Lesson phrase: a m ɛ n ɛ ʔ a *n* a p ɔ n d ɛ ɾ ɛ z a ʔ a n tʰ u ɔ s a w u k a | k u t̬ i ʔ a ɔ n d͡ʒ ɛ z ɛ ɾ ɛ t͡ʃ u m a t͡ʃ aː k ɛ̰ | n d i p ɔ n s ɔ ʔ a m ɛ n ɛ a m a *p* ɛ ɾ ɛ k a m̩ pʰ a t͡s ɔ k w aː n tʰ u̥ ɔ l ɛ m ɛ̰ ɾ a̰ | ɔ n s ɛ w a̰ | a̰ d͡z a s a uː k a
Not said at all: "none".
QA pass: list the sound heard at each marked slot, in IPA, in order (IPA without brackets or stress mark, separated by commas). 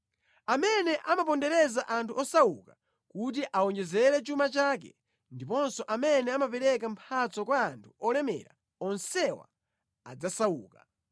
m, p